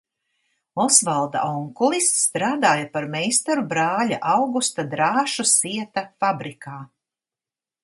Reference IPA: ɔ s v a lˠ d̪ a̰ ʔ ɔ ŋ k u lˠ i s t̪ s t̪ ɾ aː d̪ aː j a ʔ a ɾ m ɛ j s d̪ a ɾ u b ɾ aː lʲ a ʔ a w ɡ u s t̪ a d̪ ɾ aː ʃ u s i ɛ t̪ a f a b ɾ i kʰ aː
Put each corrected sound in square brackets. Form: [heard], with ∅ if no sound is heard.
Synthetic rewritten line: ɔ s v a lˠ d̪ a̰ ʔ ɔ ŋ k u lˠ i s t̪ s t̪ ɾ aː d̪ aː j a [p] a ɾ m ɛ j s [t̪] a ɾ u b ɾ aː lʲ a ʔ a w ɡ u s t̪ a d̪ ɾ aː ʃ u s i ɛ t̪ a f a b ɾ i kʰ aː